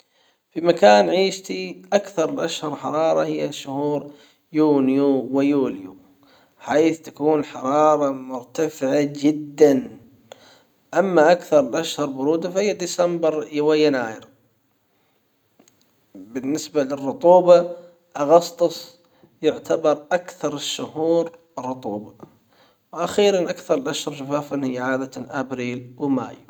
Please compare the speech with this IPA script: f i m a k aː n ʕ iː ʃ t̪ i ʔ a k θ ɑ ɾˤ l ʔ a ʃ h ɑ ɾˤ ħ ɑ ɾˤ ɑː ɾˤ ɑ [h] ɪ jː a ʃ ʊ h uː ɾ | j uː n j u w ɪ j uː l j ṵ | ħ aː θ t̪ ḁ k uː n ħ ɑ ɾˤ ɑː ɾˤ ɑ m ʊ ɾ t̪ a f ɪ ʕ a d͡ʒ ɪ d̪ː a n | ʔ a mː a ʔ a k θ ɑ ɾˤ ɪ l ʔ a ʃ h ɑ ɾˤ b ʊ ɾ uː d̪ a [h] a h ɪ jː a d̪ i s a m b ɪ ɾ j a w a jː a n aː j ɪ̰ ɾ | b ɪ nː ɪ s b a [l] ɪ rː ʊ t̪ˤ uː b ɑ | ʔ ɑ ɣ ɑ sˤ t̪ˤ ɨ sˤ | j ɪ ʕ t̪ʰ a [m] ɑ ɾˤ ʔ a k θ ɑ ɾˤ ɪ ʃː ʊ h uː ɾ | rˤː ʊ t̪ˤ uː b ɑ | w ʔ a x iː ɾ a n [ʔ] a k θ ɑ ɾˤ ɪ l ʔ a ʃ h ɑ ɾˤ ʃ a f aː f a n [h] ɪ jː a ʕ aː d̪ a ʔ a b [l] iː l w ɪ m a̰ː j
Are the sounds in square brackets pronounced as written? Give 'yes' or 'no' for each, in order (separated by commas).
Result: yes, no, yes, no, yes, yes, no